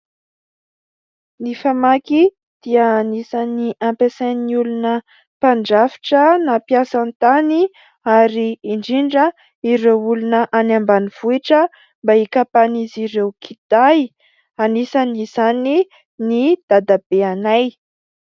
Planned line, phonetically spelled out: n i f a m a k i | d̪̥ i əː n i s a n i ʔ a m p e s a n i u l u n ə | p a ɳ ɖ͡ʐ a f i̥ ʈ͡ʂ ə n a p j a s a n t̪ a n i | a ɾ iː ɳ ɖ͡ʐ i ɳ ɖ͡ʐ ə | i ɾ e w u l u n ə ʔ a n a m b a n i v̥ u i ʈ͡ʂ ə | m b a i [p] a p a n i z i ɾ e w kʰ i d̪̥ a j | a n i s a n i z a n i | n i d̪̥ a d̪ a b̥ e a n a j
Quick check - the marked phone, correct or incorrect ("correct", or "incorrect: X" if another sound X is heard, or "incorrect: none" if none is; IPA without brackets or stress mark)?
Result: incorrect: k